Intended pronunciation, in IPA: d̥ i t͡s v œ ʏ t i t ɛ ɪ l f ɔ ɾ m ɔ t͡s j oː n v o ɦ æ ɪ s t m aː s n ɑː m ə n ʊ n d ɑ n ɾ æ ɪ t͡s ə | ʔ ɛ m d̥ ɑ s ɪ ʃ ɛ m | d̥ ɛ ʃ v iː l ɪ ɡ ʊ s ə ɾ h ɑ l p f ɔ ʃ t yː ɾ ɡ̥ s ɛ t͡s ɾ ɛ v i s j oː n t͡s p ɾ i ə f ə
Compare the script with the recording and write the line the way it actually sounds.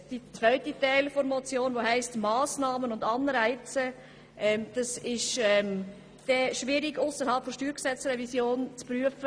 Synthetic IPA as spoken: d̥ i t͡s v œ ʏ t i t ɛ ɪ l f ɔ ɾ m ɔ t͡s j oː n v o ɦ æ ɪ s t m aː s n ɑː m ə n ʊ n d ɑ n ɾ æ ɪ t͡s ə | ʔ ɛ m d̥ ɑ s ɪ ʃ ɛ m | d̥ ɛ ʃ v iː ɾ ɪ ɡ ʊ s ə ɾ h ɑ l p f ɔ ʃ t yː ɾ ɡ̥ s ɛ t͡s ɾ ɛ v i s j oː n t͡s p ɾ y ə f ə